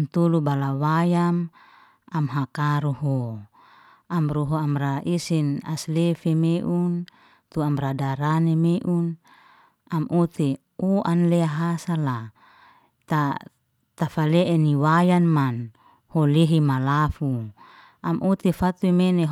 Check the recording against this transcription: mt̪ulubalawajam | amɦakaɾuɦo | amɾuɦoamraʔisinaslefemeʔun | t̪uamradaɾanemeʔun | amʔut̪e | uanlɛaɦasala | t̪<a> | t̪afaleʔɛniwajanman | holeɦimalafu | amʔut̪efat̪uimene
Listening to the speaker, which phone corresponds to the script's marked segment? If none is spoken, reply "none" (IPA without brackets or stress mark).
a